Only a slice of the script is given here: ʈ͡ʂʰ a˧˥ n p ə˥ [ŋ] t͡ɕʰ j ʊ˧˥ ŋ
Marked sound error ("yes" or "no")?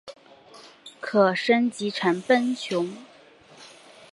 yes